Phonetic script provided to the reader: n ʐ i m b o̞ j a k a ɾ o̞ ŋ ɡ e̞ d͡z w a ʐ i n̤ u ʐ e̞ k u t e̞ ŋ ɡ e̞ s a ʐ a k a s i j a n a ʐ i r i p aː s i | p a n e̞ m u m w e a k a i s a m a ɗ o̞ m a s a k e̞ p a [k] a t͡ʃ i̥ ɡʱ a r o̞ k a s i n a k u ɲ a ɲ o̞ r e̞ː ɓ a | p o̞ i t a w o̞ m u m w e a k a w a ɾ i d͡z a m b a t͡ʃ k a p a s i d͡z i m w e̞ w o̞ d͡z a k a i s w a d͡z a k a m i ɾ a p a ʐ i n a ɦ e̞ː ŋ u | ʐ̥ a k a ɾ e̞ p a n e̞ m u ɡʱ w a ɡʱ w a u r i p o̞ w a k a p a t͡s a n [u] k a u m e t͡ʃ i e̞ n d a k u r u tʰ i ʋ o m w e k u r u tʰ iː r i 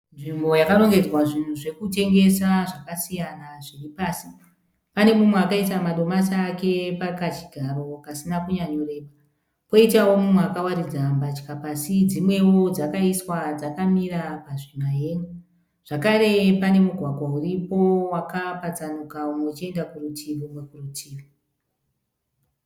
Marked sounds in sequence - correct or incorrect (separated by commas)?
correct, correct